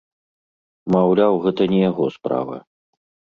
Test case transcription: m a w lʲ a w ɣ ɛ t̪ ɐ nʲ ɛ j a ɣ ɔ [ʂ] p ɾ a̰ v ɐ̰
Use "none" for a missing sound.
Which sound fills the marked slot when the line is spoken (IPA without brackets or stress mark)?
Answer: s